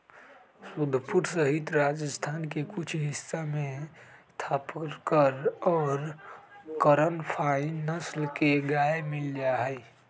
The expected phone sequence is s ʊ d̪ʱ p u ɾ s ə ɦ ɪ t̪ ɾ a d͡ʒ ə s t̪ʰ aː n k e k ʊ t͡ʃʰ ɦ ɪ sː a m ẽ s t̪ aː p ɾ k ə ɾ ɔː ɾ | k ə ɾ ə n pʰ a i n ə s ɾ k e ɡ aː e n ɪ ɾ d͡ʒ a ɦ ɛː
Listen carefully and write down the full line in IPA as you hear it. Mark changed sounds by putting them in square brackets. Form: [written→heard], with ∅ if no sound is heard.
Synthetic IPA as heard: s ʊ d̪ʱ p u ɾ s ə ɦ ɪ t̪ ɾ a d͡ʒ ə s t̪ʰ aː n k e k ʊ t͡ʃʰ ɦ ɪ sː a m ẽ s [t̪→t̪ʰ] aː p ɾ k ə ɾ ɔː ɾ | k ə ɾ ə n pʰ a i n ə s [ɾ→l] k e ɡ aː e [n→m] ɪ [ɾ→l] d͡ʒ a ɦ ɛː

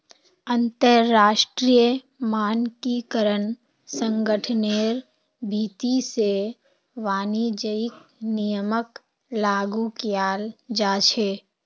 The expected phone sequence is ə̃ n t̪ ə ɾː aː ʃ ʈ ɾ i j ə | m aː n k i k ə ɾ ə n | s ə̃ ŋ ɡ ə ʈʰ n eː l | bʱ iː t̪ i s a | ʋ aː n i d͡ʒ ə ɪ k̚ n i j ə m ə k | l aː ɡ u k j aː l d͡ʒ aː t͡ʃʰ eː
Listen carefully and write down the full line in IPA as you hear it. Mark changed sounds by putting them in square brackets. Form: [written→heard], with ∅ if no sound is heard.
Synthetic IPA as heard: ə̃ n t̪ ə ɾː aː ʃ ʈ ɾ i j ə | m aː n k i k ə ɾ ə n | s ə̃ ŋ ɡ ə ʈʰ n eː [l→ɾ] | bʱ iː t̪ i s [a→e] | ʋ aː n i d͡ʒ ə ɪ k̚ n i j ə m ə k | l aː ɡ u k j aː l d͡ʒ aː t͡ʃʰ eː

